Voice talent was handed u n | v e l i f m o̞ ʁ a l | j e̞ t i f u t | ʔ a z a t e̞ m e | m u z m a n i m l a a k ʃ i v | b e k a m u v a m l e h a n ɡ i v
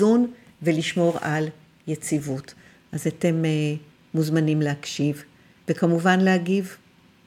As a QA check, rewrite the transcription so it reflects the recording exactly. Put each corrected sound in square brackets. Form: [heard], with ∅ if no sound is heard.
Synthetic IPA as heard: u n | v e l i [ʃ] m o̞ ʁ a l | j e̞ [t͡s] i [v] u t | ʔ a z a t e̞ m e | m u z m a n i m l [e] a k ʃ i v | [v] e k a m u v a [n] l e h a [∅] ɡ i v